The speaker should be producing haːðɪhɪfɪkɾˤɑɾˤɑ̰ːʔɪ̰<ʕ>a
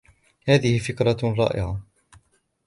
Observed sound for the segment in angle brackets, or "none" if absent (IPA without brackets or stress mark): ʕ